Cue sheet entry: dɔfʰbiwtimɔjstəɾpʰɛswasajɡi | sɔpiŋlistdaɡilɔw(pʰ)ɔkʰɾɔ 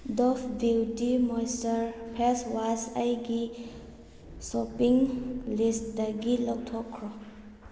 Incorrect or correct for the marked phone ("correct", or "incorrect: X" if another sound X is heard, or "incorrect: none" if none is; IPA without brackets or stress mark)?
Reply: incorrect: tʰ